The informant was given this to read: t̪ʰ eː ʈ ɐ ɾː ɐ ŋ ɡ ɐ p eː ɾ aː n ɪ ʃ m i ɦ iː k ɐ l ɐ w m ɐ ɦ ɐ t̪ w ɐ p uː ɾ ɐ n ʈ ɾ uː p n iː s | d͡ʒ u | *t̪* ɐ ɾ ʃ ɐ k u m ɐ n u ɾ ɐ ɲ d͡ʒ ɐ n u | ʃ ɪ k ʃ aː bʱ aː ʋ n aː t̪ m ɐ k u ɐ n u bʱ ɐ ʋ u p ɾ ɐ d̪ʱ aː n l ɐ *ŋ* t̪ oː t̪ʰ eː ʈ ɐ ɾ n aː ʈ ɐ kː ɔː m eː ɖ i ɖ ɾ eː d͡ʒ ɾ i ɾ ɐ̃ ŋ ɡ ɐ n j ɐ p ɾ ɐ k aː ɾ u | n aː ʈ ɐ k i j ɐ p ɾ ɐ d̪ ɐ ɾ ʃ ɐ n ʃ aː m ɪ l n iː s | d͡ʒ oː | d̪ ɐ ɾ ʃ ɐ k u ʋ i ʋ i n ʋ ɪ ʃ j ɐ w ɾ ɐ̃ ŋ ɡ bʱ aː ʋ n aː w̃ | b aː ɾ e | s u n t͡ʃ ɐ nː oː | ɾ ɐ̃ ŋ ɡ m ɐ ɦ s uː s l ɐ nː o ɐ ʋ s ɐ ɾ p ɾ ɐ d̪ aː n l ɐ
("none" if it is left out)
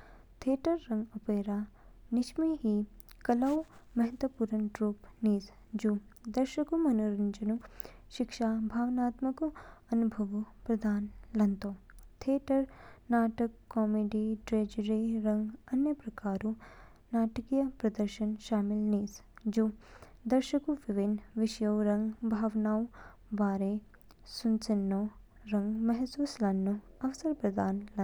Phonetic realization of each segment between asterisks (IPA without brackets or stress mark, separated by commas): d̪, n